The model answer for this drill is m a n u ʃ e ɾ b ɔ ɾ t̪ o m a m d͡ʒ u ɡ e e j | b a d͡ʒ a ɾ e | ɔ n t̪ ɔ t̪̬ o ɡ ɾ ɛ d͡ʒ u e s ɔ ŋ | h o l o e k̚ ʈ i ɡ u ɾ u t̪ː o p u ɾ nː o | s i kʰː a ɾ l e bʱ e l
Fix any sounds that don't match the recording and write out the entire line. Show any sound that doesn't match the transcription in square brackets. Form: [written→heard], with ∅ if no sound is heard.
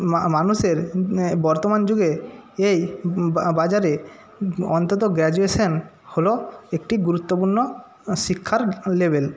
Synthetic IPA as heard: m a n u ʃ e ɾ b ɔ ɾ t̪ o m a [m→n] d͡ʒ u ɡ e e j | b a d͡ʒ a ɾ e | ɔ n t̪ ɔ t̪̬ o ɡ ɾ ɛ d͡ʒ u e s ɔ [ŋ→n] | h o l o e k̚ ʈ i ɡ u ɾ u t̪ː o p u ɾ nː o | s i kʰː a ɾ l e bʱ e l

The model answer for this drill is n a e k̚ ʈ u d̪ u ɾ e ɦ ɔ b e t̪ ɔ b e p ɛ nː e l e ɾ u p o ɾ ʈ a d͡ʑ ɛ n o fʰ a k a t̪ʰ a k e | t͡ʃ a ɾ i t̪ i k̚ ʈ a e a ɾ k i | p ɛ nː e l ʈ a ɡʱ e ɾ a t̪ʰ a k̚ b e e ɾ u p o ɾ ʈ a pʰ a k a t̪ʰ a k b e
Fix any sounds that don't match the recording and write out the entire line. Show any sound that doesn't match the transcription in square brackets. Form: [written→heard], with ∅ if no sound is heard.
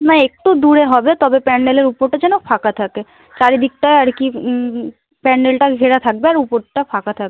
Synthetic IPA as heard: n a e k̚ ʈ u d̪ u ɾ e ɦ ɔ b e t̪ ɔ b e p ɛ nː e l e ɾ u p o ɾ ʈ a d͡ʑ ɛ n o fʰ a k a t̪ʰ a k e | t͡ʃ a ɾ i [t̪→d̪] i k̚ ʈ a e a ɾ k i | p ɛ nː e l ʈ a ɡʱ e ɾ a t̪ʰ a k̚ b e [e→a] ɾ u p o ɾ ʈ a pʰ a k a t̪ʰ a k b e

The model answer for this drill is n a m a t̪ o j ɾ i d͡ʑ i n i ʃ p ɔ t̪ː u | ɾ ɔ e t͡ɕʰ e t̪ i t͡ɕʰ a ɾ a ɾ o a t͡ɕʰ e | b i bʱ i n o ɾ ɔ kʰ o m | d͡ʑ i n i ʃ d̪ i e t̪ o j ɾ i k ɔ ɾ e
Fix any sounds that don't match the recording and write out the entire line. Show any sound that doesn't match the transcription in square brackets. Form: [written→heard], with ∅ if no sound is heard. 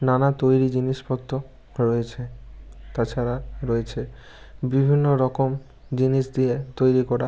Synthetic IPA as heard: n a [m→n] a t̪ o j ɾ i d͡ʑ i n i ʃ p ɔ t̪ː [u→o] | ɾ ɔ e t͡ɕʰ e t̪ [i→a] t͡ɕʰ a ɾ a ɾ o [a→e] t͡ɕʰ e | b i bʱ i [n→nː] o ɾ ɔ [kʰ→k] o m | d͡ʑ i n i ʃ d̪ i e t̪ o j ɾ i k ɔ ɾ [e→a]

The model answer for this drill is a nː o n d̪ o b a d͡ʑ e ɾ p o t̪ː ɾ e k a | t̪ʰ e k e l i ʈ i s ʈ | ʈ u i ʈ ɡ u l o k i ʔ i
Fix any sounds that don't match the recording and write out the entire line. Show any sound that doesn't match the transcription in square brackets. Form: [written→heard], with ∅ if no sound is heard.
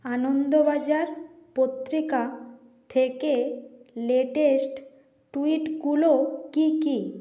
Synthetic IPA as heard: a [nː→n] o n d̪ o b a d͡ʑ [e→a] ɾ p o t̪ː ɾ [e→i] k a | t̪ʰ e k e l [i→e] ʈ [i→e] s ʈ | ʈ u i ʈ ɡ u l o k i [ʔ→k] i

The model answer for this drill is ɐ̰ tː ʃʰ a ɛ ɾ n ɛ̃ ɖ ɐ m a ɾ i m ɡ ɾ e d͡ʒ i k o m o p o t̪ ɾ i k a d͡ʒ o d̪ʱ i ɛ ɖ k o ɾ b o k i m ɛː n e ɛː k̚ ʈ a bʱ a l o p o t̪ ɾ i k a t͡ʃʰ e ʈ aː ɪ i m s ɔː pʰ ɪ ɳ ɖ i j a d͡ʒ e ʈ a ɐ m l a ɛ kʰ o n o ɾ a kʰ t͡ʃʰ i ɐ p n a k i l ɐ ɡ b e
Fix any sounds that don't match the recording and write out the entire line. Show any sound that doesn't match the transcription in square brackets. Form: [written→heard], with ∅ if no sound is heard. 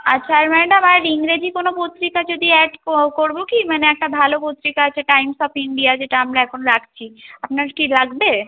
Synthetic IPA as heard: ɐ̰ tː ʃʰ a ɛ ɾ [n→m] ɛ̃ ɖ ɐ m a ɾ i [m→ŋ] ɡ ɾ e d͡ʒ i k o [m→n] o p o t̪ ɾ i k a d͡ʒ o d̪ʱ i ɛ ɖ k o ɾ b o k i m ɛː n e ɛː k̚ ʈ a bʱ a l o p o t̪ ɾ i k a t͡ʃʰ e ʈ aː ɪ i m s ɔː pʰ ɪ ɳ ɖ i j a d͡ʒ e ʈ a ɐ m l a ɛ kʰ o n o ɾ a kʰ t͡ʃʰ i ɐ p n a k i l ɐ ɡ b e

